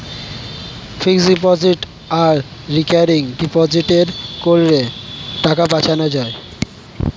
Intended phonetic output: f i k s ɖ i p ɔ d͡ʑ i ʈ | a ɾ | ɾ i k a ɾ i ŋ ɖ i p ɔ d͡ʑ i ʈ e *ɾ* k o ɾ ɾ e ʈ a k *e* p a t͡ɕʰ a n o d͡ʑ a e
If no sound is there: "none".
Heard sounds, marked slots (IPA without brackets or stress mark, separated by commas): ɾ, a